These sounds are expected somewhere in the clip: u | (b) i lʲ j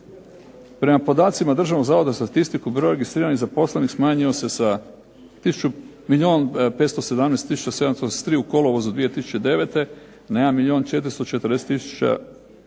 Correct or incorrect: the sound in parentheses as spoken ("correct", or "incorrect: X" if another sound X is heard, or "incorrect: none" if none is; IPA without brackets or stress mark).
incorrect: m